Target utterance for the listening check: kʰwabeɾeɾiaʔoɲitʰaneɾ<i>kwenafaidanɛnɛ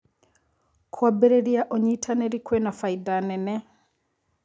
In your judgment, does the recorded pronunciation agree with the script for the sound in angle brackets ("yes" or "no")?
yes